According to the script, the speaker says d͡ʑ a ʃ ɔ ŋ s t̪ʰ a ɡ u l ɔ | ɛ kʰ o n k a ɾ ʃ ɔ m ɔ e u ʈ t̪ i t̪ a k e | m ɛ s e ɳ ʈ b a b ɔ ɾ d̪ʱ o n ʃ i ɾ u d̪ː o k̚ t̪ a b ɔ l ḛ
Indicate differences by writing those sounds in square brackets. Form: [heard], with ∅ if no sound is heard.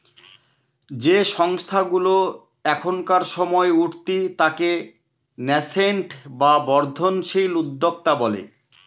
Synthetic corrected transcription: d͡ʑ [e] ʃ ɔ ŋ s t̪ʰ a ɡ u l [o] | ɛ kʰ o n k a ɾ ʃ ɔ m ɔ e u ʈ t̪ i t̪ a k e | [n] ɛ s e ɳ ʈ b a b ɔ ɾ d̪ʱ o n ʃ i [l] u d̪ː o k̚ t̪ a b ɔ l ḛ